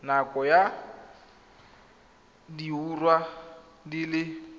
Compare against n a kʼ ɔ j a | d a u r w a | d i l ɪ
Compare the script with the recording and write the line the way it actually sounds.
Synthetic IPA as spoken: n a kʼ ɔ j a | d i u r w a | d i l ɪ